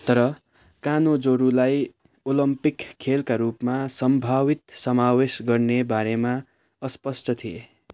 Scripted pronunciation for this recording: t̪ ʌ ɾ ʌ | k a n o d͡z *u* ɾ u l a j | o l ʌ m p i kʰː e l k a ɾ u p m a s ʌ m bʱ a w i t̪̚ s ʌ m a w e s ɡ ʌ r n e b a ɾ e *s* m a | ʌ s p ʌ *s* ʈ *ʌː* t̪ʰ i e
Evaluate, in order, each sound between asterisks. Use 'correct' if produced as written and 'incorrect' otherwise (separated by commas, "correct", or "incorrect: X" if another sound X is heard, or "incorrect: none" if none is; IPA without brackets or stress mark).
incorrect: o, incorrect: none, correct, incorrect: ʌ